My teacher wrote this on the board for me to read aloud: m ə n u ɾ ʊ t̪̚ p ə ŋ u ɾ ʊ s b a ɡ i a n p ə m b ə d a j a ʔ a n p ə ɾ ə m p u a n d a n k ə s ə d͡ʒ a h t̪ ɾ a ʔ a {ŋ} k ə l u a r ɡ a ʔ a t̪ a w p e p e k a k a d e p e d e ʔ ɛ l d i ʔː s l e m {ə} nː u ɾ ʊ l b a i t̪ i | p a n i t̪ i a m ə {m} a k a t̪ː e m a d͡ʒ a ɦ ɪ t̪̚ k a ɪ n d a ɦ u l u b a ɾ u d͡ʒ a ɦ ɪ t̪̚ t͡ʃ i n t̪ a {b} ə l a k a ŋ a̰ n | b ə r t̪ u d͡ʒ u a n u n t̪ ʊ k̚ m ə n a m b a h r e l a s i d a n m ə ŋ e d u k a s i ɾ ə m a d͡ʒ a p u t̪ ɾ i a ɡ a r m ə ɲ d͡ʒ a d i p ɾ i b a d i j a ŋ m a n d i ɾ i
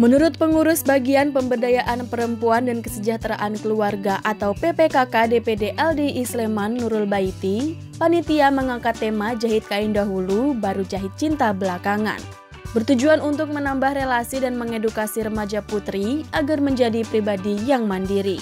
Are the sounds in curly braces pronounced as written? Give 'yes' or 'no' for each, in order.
no, no, no, yes

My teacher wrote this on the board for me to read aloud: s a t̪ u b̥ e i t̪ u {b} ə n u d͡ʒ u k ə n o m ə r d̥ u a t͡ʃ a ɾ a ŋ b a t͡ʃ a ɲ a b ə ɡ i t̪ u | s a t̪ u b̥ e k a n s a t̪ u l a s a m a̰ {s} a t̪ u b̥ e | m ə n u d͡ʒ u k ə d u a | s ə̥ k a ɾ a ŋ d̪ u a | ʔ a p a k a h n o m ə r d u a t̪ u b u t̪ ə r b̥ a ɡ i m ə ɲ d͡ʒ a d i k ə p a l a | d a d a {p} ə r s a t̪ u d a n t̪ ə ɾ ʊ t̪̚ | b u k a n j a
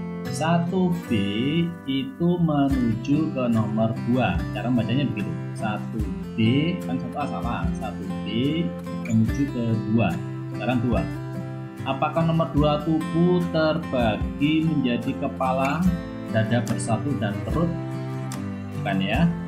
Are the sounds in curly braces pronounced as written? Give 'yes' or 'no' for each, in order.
no, yes, no

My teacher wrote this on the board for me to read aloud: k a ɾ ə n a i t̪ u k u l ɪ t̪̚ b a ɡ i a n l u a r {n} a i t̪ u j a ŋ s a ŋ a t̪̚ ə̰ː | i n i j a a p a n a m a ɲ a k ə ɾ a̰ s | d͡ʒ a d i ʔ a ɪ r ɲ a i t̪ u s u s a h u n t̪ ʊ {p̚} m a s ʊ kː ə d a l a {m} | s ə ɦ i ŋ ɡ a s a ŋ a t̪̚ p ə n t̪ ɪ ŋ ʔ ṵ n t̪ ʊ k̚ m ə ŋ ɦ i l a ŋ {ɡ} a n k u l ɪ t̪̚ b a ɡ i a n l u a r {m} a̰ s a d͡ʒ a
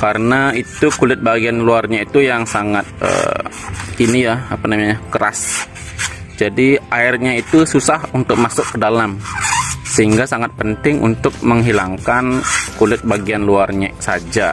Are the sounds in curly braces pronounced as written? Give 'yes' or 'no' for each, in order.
no, no, yes, no, no

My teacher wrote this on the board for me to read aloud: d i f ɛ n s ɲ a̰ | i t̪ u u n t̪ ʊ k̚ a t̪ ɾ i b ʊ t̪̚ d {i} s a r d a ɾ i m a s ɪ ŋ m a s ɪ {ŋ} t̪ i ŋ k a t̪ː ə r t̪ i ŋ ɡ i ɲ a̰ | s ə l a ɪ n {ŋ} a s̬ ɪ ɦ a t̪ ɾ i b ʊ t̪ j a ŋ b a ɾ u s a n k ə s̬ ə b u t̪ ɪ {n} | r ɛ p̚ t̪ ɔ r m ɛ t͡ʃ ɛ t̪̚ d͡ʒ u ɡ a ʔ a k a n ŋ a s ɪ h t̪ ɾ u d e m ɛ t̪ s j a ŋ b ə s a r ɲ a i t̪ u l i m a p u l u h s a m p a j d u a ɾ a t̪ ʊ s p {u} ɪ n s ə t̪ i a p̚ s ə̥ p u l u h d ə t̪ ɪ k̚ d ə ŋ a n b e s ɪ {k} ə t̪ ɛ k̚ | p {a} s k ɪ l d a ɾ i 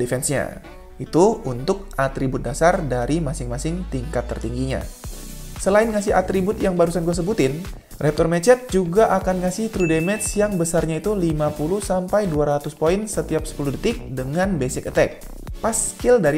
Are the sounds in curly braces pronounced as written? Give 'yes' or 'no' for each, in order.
no, yes, yes, yes, no, yes, yes

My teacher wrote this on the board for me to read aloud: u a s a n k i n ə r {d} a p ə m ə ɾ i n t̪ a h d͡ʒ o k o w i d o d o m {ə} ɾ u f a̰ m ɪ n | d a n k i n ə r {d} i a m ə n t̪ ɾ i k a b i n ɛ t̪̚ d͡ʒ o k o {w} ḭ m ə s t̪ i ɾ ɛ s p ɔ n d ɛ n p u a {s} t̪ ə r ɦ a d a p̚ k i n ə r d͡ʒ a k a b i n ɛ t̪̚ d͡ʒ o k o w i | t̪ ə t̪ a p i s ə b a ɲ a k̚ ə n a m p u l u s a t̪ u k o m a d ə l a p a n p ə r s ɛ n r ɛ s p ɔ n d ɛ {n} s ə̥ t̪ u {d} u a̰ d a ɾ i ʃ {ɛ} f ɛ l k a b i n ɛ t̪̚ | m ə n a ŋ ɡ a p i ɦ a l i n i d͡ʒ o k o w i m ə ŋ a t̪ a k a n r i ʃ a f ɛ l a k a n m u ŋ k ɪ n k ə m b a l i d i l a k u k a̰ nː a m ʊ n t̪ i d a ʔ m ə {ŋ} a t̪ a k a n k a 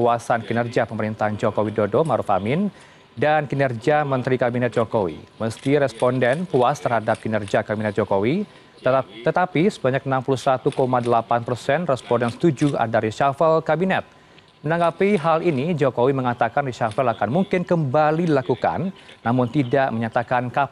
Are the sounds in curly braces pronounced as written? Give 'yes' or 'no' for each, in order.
no, no, no, yes, yes, yes, no, no, no

